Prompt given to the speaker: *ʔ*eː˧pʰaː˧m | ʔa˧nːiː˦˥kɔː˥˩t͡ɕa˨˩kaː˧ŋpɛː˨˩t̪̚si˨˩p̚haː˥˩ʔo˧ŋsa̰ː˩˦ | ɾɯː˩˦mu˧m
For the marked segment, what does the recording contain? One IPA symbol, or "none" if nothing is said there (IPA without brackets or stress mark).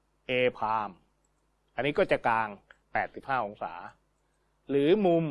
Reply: ʔ